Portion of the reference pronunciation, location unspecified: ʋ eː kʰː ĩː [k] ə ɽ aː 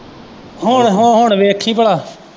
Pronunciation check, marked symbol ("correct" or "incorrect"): incorrect